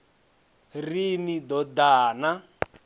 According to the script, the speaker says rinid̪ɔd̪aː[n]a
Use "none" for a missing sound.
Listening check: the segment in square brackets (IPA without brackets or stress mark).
n